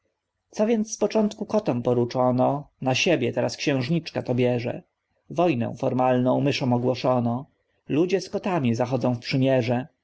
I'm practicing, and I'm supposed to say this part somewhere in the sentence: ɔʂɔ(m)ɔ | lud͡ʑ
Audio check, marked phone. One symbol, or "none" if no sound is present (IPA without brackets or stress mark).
n